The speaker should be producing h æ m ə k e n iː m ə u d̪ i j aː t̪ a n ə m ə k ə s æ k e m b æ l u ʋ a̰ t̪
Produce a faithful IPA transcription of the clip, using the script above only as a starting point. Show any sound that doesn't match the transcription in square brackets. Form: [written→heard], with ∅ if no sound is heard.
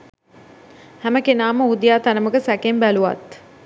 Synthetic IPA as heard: h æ m ə k e n [iː→aː] m ə u d̪ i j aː t̪ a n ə m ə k ə s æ k e m b æ l u ʋ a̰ t̪